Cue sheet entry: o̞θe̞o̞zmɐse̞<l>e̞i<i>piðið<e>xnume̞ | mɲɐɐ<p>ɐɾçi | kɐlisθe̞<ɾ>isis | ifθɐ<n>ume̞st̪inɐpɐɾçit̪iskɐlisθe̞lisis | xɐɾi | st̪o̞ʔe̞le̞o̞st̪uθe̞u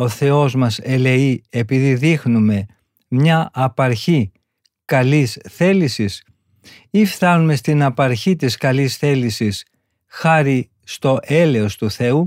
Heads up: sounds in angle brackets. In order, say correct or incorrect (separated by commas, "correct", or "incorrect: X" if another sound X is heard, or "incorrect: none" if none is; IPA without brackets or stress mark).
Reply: correct, incorrect: e, incorrect: i, correct, incorrect: l, correct